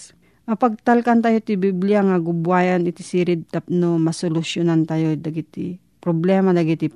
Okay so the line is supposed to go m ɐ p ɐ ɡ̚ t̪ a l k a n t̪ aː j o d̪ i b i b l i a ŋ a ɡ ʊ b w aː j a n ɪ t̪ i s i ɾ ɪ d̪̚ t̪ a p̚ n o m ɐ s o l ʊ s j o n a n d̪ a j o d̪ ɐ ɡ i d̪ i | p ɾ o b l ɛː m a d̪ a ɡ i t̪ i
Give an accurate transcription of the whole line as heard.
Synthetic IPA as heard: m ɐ p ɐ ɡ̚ t̪ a l k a n t̪ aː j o t̪ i b i b l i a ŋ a ɡ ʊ b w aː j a n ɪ t̪ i s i ɾ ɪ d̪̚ t̪ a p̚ n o m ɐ s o l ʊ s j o n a n t̪ a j o d̪ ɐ ɡ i t̪ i | p ɾ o b l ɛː m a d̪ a ɡ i t̪ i